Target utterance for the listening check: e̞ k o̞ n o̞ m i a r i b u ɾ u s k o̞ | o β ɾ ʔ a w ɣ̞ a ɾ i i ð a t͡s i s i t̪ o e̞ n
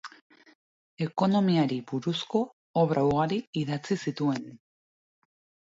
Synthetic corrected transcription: e̞ k o̞ n o̞ m i a ɾ i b u ɾ u s k o̞ | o β ɾ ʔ a w ɣ̞ a ɾ i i ð a t͡s i s i t̪ u e̞ n

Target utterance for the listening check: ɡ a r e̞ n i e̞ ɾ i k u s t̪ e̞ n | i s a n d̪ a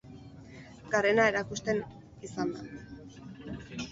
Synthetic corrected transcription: ɡ a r e̞ n a e̞ ɾ a k u s t̪ e̞ n | i s a n d̪ a

